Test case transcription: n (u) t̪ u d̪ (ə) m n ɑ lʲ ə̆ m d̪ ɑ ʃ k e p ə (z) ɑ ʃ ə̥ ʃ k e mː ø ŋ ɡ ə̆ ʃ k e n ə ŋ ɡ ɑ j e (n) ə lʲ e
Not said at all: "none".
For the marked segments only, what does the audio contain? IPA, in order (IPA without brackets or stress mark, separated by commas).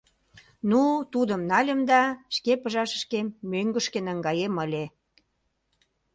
u, ə, ʒ, m